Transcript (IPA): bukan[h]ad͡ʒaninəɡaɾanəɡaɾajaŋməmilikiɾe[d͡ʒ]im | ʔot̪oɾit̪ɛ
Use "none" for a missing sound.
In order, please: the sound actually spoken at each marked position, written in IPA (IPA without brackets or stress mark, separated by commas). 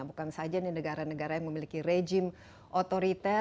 s, d͡ʒ